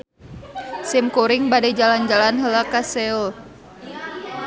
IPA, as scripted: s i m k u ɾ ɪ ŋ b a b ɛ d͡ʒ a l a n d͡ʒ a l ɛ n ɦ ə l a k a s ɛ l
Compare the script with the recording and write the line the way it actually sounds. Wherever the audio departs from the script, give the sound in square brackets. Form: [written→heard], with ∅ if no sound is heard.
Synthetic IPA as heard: s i m k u ɾ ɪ ŋ b a [b→d] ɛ d͡ʒ a l a n d͡ʒ a l [ɛ→a] n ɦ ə l a k a s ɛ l